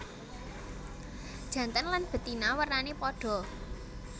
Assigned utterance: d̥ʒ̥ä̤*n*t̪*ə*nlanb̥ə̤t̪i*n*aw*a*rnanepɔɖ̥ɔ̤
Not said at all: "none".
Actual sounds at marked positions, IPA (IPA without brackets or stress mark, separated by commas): n, ə, n, ə